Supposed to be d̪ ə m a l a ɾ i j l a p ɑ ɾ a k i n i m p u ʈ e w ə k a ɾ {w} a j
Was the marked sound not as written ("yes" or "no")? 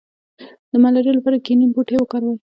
no